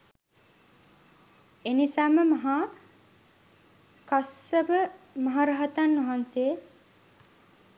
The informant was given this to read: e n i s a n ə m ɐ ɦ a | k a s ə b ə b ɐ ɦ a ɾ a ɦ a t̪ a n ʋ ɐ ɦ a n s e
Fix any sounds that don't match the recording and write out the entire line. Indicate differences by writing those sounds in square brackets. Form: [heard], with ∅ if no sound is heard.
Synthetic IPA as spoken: e n i s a [m] ə m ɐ ɦ a | k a s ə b ə [m] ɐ ɦ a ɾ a ɦ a t̪ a n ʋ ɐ ɦ a n s e